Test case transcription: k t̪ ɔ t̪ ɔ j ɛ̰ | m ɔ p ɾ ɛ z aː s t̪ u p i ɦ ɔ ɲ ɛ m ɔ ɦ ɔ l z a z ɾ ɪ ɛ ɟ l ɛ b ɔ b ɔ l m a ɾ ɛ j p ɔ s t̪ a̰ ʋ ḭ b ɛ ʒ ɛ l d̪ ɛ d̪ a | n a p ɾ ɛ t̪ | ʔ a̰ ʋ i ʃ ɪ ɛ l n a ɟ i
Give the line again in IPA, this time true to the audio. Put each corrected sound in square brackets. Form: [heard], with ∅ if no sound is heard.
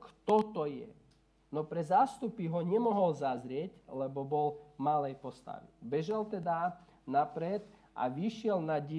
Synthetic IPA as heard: k t̪ ɔ t̪ ɔ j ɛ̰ | [n] ɔ p ɾ ɛ z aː s t̪ u p i ɦ ɔ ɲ ɛ m ɔ ɦ ɔ l z a z ɾ ɪ ɛ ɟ l ɛ b ɔ b ɔ l m a [l] ɛ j p ɔ s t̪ a̰ ʋ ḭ b ɛ ʒ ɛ l [t̪] ɛ d̪ a | n a p ɾ ɛ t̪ | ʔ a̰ ʋ i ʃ ɪ ɛ l n a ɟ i